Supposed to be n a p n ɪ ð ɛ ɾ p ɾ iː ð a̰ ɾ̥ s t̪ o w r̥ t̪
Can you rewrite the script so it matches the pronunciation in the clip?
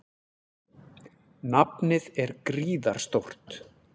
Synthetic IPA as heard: n a p n ɪ ð ɛ ɾ k ɾ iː ð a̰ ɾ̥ s t̪ o w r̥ t̪